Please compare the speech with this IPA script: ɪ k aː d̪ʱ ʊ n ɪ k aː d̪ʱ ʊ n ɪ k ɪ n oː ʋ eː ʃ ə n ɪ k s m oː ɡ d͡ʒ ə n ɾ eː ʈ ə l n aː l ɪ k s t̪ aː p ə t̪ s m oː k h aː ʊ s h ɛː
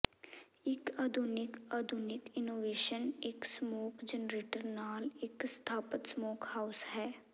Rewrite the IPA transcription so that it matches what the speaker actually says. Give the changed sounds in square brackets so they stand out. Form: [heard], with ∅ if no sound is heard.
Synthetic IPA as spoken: ɪ k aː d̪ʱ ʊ n ɪ k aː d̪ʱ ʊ n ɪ k ɪ n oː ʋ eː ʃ ə n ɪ k s m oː [k] d͡ʒ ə n ɾ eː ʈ ə [ɾ] n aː l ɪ k s [t̪ʰ] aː p ə t̪ s m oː k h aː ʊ s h ɛː